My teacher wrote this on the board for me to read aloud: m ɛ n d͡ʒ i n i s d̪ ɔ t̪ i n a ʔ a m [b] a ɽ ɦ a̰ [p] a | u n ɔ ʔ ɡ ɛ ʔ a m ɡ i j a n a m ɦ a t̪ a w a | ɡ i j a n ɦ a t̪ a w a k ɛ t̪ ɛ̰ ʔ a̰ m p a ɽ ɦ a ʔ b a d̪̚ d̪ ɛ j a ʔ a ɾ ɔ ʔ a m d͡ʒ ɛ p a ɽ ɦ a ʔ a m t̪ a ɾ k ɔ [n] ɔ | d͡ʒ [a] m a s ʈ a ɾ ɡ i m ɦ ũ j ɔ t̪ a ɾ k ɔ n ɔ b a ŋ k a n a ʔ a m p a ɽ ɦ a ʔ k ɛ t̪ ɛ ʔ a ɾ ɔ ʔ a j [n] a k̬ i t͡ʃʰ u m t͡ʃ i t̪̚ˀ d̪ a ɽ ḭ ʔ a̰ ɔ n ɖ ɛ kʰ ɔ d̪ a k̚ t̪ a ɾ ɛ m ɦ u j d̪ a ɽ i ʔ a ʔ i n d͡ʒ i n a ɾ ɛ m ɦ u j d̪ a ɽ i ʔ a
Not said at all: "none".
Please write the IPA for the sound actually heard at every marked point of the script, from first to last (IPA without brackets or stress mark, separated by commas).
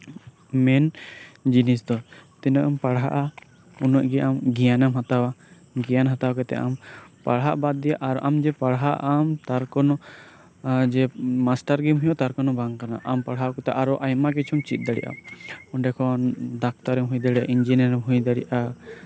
p, ʔ, n, ɛ, m